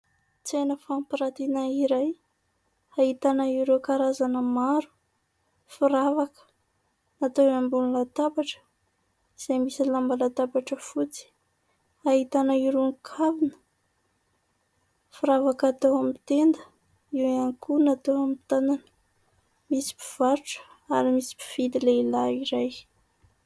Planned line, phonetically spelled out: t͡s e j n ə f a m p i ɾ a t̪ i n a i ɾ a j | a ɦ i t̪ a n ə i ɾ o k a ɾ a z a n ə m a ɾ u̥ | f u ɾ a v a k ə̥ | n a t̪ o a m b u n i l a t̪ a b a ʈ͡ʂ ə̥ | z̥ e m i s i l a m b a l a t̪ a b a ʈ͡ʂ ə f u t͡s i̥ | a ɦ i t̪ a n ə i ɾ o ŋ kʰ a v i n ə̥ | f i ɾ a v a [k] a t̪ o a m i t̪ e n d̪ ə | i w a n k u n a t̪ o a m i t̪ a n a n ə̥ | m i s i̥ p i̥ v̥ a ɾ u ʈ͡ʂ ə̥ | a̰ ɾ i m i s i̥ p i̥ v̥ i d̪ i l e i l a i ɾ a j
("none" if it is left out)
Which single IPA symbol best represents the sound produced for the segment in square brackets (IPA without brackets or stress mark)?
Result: k